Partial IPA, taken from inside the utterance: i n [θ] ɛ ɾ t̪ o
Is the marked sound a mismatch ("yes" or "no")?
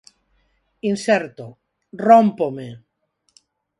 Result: yes